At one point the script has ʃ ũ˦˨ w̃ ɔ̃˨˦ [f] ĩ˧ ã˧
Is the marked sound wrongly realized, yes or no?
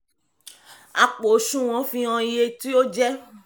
no